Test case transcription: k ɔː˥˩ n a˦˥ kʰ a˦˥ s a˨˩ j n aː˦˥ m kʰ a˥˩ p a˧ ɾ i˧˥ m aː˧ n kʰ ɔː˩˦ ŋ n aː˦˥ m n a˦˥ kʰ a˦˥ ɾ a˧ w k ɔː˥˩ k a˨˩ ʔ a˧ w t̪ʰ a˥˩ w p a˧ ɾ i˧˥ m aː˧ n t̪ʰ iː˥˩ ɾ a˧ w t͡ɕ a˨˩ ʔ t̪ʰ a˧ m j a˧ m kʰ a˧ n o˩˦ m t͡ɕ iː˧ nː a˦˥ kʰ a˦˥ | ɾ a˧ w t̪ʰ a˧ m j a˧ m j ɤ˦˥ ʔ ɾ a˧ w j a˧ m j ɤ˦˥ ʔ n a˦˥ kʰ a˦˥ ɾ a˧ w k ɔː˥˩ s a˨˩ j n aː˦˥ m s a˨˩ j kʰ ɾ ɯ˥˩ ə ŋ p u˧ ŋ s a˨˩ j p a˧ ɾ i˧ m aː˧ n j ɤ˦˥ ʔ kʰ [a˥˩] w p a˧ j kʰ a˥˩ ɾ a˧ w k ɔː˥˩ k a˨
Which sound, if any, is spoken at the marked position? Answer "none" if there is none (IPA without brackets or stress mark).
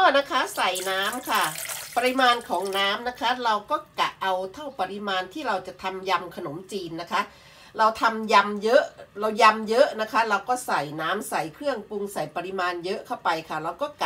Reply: a˥˩